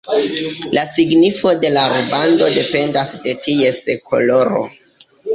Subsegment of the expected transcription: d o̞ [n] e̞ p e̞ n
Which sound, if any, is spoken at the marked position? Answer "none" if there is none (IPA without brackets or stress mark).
d